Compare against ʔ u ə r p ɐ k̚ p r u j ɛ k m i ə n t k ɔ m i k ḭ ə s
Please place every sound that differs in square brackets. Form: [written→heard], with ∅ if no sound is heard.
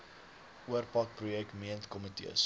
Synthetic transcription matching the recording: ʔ u ə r p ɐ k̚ p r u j ɛ k m i ə n t k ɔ m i [k→t] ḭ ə s